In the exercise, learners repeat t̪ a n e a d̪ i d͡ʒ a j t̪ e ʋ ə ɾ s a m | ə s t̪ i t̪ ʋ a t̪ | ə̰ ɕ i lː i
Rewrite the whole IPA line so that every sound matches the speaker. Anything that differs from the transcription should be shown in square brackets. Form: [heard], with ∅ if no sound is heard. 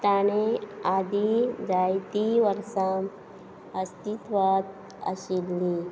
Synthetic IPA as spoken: t̪ a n e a d̪ i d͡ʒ a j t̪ [i] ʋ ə ɾ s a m | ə s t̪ i t̪ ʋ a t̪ | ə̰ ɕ i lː i